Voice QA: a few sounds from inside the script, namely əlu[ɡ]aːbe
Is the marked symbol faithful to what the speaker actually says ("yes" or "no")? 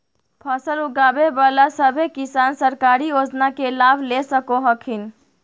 yes